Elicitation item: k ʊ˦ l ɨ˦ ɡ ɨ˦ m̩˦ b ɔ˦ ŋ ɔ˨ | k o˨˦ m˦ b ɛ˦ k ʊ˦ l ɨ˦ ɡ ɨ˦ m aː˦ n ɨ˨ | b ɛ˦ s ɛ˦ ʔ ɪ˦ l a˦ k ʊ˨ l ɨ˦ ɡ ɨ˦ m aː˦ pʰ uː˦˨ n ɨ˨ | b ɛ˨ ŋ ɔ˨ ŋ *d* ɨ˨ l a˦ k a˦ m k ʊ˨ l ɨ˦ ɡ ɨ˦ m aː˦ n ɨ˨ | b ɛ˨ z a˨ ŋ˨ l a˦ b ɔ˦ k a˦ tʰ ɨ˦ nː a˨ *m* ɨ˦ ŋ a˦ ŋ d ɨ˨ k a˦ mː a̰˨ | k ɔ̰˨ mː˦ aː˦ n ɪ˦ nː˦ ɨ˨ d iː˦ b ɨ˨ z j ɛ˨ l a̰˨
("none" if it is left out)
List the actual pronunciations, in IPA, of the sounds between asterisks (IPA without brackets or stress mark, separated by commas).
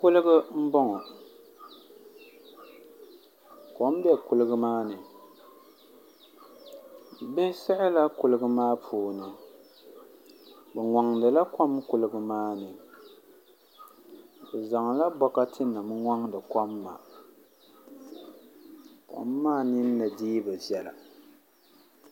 d, m